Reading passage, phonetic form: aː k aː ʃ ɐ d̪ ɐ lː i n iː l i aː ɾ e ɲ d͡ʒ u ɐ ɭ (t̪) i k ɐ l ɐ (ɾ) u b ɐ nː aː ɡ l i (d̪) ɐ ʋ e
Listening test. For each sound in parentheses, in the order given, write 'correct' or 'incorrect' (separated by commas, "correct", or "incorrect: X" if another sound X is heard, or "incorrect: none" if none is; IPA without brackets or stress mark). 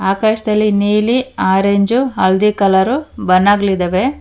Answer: incorrect: d̪, correct, correct